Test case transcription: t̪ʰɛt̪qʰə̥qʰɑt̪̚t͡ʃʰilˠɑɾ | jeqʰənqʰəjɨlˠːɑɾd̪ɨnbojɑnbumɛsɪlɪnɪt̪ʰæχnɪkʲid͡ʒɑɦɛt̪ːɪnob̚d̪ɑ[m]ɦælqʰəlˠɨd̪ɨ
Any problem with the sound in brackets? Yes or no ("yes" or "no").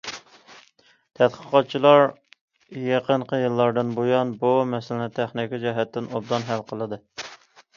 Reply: yes